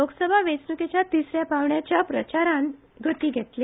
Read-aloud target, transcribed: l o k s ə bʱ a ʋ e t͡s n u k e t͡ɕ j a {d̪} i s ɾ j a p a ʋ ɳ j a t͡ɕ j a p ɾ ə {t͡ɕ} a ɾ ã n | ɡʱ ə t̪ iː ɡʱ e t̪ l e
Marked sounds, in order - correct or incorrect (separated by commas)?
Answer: incorrect, correct